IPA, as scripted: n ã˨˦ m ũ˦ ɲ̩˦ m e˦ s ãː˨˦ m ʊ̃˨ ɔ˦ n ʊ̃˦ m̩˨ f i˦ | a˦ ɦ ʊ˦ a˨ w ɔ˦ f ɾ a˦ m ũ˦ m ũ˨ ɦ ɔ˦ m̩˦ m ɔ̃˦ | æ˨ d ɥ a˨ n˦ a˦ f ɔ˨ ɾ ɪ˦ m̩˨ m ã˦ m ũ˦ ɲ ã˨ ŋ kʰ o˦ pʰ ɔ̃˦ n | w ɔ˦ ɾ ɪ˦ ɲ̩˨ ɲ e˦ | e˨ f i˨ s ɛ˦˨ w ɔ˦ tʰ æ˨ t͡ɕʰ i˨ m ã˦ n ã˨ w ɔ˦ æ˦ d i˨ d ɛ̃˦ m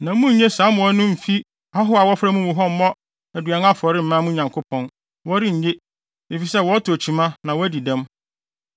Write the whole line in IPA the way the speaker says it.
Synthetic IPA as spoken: n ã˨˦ m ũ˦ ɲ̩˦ ɲ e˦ s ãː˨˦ m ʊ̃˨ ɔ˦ n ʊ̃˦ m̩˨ f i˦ | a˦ ɦ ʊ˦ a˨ w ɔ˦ f ɾ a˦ m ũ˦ m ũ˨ ɦ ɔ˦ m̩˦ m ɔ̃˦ | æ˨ d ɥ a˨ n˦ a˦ f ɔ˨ ɾ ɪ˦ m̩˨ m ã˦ m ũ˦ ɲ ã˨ ŋ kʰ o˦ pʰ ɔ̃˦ n | w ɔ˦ ɾ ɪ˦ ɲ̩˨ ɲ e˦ | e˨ f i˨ s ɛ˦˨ w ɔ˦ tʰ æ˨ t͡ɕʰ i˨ m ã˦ n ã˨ w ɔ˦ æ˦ d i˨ d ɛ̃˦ m